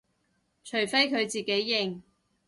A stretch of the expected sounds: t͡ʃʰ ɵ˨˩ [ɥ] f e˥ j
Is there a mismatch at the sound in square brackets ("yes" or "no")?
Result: no